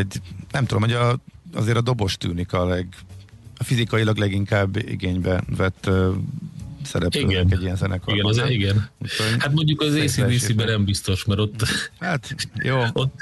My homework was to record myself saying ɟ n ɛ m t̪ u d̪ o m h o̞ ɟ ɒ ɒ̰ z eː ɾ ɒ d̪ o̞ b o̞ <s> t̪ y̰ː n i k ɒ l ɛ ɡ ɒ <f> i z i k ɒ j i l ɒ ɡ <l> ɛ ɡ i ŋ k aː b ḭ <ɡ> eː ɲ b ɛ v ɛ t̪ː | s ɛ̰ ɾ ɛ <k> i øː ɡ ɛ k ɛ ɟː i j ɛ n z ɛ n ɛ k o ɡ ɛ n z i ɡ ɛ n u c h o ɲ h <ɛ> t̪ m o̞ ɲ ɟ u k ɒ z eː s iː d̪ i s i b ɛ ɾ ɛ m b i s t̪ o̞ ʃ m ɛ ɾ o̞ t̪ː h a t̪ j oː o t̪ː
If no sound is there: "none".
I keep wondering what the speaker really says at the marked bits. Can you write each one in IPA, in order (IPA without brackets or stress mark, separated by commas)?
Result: ʃ, f, l, ɡ, p, a